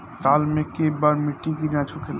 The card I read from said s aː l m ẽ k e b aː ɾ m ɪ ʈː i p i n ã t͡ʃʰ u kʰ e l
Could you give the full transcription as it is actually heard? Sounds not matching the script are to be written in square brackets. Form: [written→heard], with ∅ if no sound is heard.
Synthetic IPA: s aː l m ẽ k e b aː ɾ m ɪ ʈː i [p→k] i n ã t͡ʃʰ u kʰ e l